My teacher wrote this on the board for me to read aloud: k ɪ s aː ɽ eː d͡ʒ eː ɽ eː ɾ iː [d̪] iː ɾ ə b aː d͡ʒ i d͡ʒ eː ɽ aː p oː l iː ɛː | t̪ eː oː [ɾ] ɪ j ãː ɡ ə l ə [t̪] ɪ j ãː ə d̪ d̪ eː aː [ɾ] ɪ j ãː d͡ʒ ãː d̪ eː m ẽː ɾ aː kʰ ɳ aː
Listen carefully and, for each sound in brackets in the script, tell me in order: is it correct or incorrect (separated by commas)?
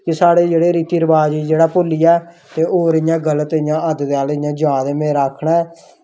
incorrect, correct, correct, incorrect